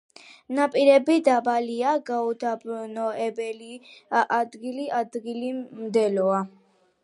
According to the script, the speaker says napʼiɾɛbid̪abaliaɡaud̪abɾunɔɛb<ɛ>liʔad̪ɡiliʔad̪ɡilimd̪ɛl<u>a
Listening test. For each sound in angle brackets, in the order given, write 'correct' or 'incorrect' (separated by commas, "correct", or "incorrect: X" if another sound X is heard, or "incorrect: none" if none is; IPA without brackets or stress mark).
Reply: correct, incorrect: ɔ